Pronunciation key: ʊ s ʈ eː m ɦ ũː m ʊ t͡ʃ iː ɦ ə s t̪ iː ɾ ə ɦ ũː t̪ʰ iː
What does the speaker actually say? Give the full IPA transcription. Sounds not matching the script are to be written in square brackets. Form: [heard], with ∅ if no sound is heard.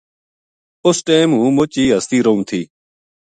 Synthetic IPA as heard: ʊ s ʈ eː m ɦ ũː m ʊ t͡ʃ iː ɦ ə s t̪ iː ɾ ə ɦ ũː t̪ʰ iː